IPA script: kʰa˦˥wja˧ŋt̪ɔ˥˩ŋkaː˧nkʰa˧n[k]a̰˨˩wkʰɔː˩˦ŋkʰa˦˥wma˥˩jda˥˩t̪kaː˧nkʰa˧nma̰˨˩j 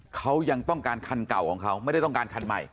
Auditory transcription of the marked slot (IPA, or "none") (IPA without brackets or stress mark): k